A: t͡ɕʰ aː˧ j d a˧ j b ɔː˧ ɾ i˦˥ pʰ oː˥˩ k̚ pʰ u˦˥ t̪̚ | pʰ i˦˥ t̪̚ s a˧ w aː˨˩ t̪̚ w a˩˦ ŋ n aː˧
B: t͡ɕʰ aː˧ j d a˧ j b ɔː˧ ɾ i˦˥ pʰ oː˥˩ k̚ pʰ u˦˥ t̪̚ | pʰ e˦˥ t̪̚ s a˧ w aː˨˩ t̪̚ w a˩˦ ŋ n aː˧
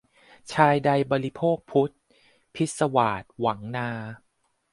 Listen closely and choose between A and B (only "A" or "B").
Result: A